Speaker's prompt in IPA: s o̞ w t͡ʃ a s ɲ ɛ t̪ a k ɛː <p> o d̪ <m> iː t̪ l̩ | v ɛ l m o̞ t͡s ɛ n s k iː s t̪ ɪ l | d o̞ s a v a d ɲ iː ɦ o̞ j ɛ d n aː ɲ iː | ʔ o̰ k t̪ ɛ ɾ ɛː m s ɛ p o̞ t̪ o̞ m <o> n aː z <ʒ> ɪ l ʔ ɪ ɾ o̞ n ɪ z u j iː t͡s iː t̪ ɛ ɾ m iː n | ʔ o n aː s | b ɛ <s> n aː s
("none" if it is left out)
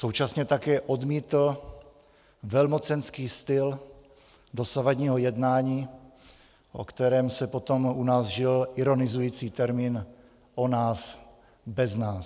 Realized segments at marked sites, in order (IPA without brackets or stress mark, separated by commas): ʔ, m, u, ʒ, z